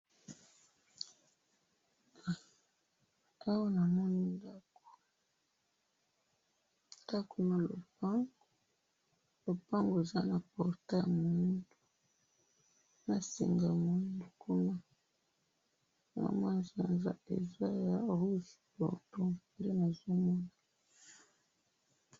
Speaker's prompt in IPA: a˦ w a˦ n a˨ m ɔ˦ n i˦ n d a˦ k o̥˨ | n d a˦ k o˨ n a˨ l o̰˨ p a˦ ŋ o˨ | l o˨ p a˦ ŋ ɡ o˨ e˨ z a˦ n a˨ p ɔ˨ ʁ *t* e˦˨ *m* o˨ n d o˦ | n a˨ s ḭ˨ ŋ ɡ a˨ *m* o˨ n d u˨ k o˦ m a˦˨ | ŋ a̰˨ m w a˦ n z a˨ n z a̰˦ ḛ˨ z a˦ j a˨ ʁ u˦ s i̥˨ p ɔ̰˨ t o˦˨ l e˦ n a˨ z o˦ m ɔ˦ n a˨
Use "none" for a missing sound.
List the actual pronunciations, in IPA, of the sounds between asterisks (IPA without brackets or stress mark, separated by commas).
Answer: t, m, m